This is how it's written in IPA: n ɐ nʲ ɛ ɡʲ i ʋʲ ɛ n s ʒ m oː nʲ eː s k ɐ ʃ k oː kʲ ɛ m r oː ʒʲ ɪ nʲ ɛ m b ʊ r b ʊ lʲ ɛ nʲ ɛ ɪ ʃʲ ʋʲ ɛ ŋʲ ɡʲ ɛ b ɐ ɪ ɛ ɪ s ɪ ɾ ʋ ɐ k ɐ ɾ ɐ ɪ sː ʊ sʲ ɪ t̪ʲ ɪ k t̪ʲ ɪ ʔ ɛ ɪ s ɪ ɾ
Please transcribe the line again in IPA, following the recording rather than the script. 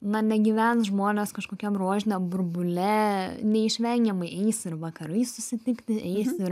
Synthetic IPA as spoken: n ɐ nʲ ɛ ɡʲ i ʋʲ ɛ n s ʒ m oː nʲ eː s k ɐ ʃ k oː kʲ ɛ m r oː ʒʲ ɪ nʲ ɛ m b ʊ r b ʊ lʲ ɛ nʲ ɛ ɪ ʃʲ ʋʲ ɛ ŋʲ ɡʲ ɛ m ɐ ɪ ɛ ɪ s ɪ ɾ ʋ ɐ k ɐ ɾ ɐ ɪ s ʊ sʲ ɪ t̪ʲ ɪ k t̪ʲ ɪ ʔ ɛ ɪ s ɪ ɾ